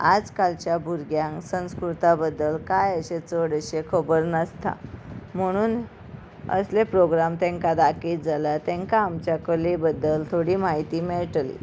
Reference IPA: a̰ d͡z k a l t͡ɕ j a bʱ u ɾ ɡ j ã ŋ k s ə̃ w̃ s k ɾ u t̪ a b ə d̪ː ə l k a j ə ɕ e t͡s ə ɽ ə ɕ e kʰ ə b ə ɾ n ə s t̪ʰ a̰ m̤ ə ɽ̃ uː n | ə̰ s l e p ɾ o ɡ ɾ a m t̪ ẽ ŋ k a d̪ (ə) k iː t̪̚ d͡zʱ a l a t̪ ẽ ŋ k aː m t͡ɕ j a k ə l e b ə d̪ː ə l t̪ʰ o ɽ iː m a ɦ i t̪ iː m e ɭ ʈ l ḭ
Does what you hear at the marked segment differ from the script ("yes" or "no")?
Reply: yes